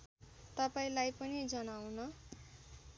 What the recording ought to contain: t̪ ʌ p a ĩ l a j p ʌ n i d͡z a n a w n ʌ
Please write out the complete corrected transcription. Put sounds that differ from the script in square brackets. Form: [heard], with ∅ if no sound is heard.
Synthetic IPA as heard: t̪ ʌ p a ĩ l a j p ʌ n i d͡z [ʌ] n a w n ʌ